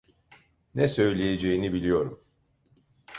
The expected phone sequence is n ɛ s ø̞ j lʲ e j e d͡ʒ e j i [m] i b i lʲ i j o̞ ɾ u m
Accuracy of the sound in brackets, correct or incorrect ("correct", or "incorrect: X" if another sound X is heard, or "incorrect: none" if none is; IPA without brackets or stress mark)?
incorrect: n